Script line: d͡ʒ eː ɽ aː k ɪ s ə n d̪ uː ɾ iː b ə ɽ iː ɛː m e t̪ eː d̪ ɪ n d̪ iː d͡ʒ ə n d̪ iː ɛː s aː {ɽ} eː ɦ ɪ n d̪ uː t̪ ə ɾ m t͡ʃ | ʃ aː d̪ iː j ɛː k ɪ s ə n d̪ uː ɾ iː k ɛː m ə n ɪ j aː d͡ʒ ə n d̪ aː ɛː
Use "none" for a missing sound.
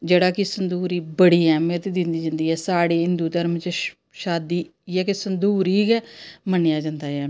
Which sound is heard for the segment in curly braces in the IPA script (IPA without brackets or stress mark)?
ɽ